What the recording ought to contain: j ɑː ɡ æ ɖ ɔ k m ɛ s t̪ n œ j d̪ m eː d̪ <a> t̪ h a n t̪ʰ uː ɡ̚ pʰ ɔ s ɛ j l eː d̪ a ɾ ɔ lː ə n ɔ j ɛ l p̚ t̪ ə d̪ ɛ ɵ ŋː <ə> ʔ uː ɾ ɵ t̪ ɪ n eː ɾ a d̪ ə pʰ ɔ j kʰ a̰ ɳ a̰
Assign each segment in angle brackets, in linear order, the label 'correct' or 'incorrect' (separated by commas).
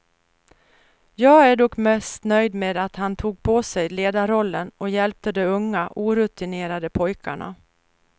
correct, incorrect